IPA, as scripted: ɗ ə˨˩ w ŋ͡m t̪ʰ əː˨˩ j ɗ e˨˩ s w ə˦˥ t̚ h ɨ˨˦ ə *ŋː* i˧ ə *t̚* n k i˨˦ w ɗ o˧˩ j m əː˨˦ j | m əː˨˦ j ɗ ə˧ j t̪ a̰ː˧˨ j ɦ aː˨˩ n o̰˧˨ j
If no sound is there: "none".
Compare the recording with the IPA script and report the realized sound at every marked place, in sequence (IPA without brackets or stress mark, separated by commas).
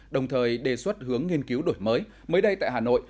ŋː, none